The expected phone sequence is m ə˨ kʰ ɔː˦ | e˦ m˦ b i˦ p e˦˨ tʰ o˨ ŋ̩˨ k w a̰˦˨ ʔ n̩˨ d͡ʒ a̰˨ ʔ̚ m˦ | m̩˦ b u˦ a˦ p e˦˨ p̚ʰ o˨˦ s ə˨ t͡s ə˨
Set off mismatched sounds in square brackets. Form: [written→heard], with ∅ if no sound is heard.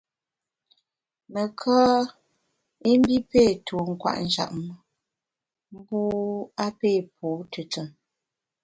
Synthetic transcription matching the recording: m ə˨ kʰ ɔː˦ | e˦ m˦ b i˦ p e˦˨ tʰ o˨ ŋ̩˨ k w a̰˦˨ ʔ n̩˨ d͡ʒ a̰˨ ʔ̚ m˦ | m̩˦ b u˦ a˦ p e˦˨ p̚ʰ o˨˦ [s→t] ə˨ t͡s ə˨